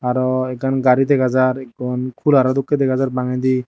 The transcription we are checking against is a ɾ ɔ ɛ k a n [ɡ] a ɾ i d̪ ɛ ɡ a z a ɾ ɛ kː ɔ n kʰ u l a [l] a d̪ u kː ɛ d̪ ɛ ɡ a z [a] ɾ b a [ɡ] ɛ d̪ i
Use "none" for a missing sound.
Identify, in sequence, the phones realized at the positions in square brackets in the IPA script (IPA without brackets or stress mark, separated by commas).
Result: ɡ, ɾ, a, ŋ